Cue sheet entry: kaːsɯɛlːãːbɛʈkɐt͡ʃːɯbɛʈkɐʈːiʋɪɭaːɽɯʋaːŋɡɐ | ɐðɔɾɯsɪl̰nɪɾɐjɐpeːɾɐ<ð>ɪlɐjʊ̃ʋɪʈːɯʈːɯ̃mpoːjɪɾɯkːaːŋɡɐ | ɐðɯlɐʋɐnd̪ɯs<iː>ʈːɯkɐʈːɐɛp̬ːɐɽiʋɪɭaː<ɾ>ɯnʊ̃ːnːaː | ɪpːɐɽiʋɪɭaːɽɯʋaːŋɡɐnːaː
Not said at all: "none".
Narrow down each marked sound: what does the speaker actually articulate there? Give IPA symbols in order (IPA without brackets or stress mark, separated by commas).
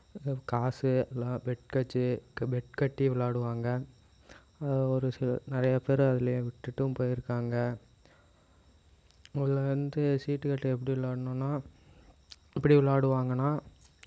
ð, iː, ɽ